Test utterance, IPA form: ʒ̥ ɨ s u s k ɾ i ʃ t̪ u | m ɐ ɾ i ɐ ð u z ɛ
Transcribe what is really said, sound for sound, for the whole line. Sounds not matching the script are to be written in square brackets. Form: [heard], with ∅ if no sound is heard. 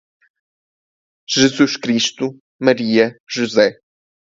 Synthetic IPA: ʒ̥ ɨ [z] u [ʃ] k ɾ i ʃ t̪ u | m ɐ ɾ i ɐ [ʒ] u z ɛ